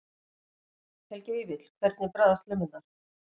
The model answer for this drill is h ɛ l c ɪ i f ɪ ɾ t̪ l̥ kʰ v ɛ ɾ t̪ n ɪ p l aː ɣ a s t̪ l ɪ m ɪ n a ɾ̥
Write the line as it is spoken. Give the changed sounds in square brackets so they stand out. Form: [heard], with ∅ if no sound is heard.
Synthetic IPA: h ɛ l c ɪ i [v] ɪ [∅] t̪ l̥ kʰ v ɛ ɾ t̪ n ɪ p [ɾ] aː [ð] a s t̪ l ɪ m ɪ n a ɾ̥

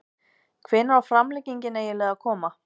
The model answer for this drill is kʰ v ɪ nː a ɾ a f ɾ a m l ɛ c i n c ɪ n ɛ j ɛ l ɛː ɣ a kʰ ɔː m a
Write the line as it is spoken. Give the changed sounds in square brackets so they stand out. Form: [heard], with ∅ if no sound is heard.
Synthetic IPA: kʰ v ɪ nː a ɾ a f ɾ a m l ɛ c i [ɲ] c ɪ n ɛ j ɛ l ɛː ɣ a kʰ ɔː m a

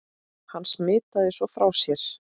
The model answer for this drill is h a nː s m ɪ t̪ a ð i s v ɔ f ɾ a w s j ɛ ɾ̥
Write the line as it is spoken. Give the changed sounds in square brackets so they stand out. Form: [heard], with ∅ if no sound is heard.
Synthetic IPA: h a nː s m [ɪː] t̪ a ð [ɪ] s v ɔ f ɾ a w s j ɛ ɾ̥

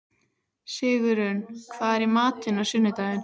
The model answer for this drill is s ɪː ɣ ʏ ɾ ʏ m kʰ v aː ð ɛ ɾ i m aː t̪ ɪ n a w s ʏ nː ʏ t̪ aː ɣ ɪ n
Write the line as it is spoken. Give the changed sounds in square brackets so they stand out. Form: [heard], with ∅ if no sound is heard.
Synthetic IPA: s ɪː ɣ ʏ ɾ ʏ [n] kʰ v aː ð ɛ ɾ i m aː t̪ ɪ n a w s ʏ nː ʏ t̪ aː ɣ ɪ n

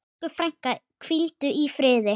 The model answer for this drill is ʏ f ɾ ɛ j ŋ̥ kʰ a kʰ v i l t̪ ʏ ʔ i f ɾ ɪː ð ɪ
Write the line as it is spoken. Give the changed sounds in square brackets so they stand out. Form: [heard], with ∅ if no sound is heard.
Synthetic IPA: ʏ f ɾ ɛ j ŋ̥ [k] a kʰ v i l t̪ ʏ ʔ i f ɾ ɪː ð ɪ

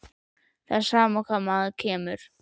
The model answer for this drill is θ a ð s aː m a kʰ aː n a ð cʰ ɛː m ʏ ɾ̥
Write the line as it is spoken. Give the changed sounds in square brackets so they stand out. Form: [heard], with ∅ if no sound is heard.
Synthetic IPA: θ a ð s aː m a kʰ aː [m] a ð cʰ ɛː m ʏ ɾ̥

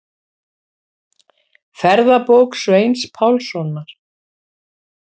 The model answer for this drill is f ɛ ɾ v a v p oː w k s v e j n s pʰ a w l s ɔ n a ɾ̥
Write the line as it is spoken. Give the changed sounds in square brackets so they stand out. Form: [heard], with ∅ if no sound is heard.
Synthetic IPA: f ɛ ɾ [ð] a [∅] p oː w k s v e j n s pʰ a w l s ɔ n a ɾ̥

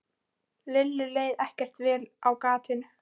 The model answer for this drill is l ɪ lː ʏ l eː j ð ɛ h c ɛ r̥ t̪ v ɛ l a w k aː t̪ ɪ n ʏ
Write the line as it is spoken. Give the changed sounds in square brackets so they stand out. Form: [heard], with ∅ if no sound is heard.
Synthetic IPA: l ɪ lː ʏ l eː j ð ɛ h c ɛ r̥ t̪ v [ɛː] l a w k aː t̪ ɪ n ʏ

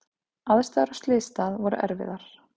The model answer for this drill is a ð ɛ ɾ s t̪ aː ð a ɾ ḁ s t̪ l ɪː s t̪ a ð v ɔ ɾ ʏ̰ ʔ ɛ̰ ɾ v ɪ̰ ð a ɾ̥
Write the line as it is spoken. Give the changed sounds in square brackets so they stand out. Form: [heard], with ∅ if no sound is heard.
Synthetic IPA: a ð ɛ [∅] s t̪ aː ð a ɾ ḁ s t̪ l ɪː s t̪ a ð v ɔ ɾ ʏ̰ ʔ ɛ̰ ɾ v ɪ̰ ð a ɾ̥

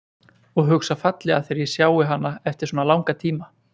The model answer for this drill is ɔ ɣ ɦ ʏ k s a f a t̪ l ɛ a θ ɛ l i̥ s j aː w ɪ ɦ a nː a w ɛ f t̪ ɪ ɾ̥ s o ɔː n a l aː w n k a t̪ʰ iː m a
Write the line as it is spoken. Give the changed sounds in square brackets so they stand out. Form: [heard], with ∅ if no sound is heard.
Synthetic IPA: ɔ ɣ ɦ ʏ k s a f a t̪ l ɛ a θ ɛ [ɾ] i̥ s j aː w ɪ ɦ a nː a [∅] ɛ f t̪ ɪ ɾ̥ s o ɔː n a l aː w [ŋ] k a t̪ʰ iː m a

